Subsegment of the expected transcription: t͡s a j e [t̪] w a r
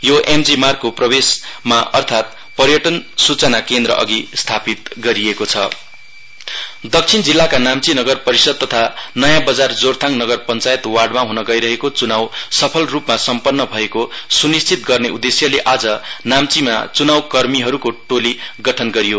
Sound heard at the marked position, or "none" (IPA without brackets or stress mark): t̪